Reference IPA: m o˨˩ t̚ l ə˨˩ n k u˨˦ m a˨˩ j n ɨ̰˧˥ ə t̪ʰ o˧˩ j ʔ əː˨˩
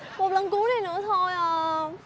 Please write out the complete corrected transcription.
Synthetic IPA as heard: m o˨˩ t̚ l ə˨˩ n k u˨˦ n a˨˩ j n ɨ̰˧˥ ə t̪ʰ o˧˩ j ʔ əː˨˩